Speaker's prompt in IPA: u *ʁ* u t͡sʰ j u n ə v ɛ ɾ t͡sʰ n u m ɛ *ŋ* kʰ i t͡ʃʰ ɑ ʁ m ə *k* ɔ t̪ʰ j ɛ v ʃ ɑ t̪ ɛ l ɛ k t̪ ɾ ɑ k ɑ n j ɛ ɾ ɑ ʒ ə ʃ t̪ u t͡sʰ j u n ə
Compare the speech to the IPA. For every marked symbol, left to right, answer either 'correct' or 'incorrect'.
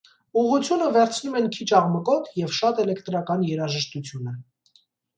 correct, incorrect, correct

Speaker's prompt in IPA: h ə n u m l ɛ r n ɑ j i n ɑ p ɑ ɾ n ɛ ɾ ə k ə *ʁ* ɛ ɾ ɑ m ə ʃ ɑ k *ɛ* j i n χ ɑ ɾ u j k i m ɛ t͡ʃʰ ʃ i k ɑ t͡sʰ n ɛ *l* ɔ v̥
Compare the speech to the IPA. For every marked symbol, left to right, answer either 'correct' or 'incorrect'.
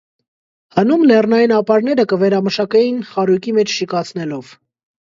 incorrect, correct, correct

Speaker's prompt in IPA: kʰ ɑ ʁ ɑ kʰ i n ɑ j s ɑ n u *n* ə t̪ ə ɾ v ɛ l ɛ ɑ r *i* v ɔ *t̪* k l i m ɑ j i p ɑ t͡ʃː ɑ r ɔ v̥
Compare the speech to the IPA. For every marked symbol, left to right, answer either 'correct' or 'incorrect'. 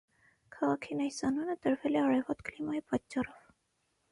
correct, incorrect, correct

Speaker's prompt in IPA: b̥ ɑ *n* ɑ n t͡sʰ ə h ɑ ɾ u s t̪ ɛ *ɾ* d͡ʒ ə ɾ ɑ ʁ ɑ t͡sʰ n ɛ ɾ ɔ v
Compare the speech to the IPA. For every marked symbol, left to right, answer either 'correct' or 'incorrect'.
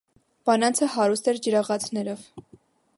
correct, correct

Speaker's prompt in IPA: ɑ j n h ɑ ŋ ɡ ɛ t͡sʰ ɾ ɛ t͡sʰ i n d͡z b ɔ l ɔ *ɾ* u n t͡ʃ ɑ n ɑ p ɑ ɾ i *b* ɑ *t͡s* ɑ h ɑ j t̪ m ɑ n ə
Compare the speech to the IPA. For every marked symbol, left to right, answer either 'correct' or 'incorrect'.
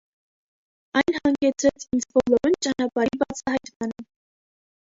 correct, correct, incorrect

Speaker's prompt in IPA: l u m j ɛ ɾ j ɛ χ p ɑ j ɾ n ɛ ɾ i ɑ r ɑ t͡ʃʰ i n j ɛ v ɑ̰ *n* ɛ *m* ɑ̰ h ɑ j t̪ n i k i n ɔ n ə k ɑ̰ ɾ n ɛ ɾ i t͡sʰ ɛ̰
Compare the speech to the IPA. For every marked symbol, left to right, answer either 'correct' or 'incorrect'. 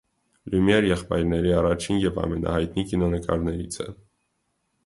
incorrect, incorrect

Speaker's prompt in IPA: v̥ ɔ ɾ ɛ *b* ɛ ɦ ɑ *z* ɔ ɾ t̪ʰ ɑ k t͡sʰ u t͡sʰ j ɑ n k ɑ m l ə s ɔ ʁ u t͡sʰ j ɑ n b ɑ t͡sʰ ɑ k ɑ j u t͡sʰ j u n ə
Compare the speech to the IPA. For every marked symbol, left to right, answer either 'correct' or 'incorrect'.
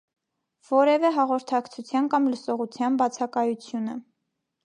incorrect, incorrect

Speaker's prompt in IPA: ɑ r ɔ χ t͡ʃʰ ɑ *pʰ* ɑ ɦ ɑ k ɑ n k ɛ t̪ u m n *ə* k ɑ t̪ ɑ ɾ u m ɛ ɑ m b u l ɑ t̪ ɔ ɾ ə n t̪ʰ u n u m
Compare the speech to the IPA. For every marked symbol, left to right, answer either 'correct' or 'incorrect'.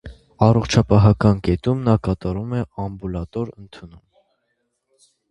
incorrect, incorrect

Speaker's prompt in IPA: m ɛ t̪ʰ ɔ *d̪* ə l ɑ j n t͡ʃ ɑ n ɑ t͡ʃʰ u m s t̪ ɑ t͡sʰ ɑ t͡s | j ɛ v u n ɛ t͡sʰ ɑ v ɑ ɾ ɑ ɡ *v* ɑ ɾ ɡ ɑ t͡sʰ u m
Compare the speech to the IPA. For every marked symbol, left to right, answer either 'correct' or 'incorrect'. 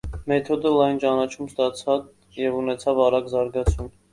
correct, incorrect

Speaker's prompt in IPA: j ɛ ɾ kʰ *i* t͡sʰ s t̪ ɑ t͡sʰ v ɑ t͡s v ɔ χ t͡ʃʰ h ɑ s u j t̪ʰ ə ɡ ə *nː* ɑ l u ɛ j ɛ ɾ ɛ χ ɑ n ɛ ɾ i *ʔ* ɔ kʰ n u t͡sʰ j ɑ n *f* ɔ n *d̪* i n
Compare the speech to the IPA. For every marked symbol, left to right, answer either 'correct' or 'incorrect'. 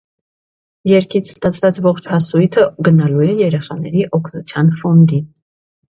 correct, incorrect, correct, correct, correct

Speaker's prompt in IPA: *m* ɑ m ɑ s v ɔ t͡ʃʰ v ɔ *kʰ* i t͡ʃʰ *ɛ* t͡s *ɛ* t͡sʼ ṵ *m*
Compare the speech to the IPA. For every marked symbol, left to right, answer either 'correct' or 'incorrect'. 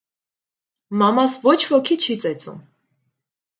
correct, correct, incorrect, correct, correct

